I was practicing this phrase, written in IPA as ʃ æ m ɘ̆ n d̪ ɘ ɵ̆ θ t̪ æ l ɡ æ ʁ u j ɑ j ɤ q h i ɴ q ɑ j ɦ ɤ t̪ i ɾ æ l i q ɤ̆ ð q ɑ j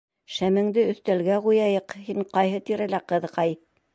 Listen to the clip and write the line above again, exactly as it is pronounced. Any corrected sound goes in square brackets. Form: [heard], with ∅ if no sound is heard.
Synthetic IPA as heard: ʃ æ m ɘ̆ [ŋ] d̪ ɘ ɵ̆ θ t̪ æ l ɡ æ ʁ u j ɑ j ɤ q h i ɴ q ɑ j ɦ ɤ t̪ i ɾ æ l [æ] q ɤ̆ ð q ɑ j